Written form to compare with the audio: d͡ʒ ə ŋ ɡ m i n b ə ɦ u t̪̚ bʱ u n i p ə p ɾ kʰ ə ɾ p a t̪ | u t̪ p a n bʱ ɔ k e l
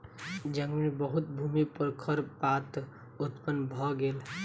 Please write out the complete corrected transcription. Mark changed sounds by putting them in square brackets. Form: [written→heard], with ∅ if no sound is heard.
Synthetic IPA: d͡ʒ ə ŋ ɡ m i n b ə ɦ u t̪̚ bʱ u [n→m] i p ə [p→∅] ɾ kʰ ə ɾ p a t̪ | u t̪ p [a→ə] n bʱ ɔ [k→ɡ] e l